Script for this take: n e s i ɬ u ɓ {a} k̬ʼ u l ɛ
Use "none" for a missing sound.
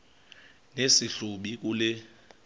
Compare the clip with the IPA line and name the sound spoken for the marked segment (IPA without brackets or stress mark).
i